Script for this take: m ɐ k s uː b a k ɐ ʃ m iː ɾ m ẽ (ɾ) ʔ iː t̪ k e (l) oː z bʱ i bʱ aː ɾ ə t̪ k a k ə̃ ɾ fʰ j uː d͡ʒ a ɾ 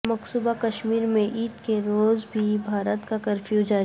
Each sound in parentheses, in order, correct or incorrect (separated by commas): incorrect, incorrect